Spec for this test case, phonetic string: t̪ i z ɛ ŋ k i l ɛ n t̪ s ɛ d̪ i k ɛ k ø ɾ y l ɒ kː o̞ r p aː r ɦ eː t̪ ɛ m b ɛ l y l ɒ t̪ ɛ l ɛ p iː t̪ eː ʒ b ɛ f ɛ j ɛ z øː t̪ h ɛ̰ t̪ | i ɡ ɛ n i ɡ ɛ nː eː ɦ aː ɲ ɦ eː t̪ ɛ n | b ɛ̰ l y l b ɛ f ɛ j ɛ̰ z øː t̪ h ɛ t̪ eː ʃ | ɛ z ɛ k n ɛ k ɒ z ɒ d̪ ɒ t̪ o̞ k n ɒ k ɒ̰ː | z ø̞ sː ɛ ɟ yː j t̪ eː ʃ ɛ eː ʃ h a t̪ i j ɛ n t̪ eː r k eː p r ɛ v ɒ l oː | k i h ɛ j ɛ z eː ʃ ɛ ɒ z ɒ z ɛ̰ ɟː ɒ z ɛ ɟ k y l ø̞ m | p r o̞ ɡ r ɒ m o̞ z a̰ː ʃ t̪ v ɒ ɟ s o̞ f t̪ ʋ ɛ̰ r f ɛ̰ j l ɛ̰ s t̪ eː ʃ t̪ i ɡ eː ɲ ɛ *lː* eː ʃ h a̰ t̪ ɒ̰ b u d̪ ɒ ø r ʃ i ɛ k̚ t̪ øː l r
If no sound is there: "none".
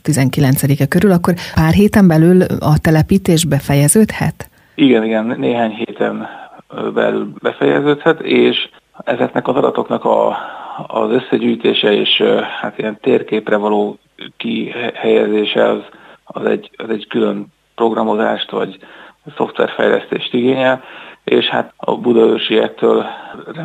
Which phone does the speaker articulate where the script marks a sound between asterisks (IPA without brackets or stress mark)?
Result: l